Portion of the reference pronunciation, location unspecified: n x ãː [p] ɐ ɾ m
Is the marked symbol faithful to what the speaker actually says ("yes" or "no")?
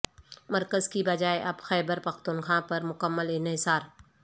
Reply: yes